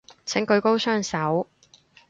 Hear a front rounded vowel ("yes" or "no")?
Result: yes